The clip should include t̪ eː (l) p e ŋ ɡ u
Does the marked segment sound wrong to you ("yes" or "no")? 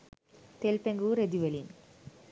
no